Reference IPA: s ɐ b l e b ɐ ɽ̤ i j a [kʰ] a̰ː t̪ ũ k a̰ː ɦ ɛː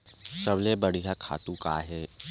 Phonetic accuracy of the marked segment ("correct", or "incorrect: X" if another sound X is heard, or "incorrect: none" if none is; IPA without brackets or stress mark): correct